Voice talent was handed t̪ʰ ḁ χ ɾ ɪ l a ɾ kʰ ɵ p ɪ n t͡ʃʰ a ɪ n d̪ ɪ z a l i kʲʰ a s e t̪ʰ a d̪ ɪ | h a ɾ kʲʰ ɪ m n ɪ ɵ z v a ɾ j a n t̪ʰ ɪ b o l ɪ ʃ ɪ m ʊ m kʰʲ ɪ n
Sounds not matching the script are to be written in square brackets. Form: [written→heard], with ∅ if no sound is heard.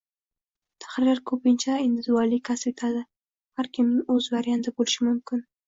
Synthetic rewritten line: t̪ʰ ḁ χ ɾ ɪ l a ɾ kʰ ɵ p ɪ n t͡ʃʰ a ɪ n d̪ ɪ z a l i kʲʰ a s e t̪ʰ a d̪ ɪ | h a ɾ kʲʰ ɪ m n ɪ ɵ z v a ɾ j a n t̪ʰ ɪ b o l ɪ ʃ ɪ m ʊ m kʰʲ ɪ n